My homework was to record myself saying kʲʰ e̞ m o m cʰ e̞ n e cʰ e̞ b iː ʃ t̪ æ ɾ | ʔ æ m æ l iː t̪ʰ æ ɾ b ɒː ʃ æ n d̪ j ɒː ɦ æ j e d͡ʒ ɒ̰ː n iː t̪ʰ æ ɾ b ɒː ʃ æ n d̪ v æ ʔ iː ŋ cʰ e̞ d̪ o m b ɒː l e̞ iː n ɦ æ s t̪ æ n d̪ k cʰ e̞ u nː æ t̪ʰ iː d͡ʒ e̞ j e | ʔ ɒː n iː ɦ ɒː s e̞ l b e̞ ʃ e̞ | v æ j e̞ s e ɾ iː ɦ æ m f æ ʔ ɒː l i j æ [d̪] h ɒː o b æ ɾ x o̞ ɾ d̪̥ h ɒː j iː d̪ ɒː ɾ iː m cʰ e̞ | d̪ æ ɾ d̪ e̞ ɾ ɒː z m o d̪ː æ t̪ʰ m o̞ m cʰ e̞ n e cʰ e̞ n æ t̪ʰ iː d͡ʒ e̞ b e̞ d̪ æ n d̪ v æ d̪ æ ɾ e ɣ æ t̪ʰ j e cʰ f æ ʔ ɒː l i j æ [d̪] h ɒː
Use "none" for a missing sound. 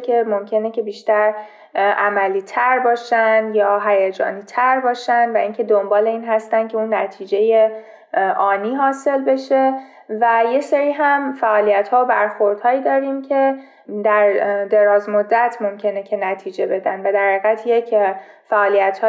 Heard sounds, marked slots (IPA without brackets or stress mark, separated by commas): t̪, t̪